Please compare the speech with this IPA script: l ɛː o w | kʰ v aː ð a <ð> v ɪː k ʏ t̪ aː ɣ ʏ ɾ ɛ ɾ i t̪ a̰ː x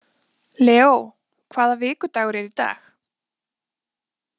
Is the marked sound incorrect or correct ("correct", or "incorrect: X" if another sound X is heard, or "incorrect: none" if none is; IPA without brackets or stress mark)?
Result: incorrect: none